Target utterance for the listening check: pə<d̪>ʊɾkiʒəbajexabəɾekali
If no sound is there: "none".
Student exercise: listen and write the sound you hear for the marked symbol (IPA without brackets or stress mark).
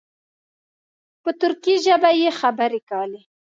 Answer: t̪